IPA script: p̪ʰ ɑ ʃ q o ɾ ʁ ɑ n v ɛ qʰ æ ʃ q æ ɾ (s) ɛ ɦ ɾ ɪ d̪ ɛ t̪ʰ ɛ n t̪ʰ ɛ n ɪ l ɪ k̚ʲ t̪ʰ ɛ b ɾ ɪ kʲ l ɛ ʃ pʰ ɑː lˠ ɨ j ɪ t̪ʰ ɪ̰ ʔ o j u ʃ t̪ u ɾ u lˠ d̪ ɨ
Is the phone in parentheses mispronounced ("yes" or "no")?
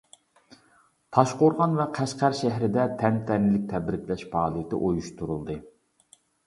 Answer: yes